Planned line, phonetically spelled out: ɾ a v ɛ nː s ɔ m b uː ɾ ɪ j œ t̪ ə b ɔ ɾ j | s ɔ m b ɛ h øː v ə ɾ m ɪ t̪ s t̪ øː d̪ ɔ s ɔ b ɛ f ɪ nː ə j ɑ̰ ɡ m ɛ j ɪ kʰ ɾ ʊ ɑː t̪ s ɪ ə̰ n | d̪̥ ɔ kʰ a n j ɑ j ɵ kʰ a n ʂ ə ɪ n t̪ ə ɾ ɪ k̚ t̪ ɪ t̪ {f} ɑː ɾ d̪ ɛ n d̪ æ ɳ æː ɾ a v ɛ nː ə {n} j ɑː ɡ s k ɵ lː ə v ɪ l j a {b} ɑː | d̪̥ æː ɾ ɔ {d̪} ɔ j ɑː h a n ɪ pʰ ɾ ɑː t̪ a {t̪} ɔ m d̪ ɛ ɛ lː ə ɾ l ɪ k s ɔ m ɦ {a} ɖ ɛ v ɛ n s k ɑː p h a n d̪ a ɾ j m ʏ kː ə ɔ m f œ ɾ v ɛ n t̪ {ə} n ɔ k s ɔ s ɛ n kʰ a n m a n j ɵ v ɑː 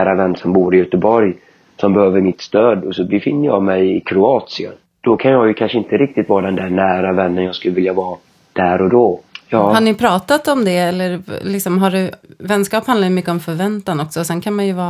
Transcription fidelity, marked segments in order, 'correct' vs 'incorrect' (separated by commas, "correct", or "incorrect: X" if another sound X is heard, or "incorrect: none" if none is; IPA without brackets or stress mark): incorrect: v, correct, incorrect: v, correct, correct, correct, incorrect: a